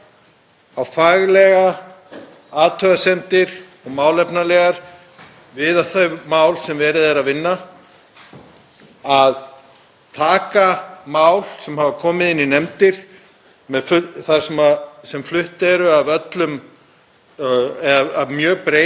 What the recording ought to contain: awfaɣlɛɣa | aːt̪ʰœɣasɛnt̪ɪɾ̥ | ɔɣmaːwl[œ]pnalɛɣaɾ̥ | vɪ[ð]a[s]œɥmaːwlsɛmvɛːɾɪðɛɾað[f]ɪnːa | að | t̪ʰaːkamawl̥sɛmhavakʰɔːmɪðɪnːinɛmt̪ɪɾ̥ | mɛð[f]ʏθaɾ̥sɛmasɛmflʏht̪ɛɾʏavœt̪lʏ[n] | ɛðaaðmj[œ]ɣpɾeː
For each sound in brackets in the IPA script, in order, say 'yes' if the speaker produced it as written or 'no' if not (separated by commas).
no, yes, no, no, yes, no, no